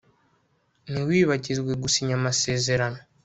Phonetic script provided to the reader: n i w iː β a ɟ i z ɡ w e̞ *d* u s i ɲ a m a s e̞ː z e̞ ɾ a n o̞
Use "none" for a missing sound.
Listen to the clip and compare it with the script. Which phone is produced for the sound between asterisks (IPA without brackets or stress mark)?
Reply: ɡ